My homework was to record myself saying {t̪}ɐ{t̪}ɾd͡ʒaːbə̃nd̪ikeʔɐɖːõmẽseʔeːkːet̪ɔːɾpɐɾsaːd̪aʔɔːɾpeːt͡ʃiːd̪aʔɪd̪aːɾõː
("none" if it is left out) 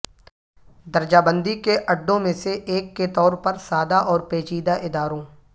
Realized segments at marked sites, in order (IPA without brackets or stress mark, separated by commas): d̪, none